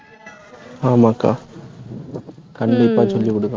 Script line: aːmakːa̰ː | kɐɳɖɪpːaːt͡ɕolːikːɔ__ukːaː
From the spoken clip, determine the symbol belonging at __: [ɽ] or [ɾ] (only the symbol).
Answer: ɽ